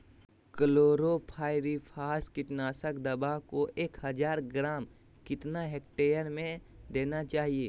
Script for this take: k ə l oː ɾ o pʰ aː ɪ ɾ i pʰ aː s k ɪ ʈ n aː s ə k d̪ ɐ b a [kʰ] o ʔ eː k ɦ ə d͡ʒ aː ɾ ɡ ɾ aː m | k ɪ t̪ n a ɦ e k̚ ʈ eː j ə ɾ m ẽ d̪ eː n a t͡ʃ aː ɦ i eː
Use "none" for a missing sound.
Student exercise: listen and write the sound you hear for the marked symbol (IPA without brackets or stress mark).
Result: k